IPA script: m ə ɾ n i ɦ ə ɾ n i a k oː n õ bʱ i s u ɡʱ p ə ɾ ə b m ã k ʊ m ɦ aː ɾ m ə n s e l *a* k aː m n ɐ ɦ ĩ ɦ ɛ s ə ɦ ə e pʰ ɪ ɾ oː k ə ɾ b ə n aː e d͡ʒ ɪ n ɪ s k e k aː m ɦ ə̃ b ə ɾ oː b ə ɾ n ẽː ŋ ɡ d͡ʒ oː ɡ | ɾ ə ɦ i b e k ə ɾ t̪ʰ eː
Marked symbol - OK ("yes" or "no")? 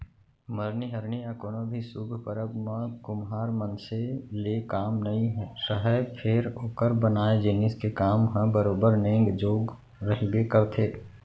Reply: no